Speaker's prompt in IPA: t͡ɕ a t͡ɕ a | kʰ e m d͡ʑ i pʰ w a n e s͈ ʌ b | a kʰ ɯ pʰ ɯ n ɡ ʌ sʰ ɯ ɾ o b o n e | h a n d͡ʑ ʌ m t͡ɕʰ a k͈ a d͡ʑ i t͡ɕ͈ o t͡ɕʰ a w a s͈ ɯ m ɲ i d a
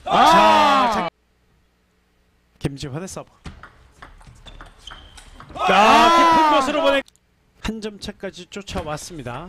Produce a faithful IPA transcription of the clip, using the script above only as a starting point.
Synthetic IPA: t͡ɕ a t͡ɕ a | k e m d͡ʑ i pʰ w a n e s͈ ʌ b | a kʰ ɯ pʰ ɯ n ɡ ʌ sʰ ɯ ɾ o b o n e | h a n d͡ʑ ʌ m t͡ɕʰ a k͈ a d͡ʑ i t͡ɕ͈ o t͡ɕʰ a w a s͈ ɯ m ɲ i d a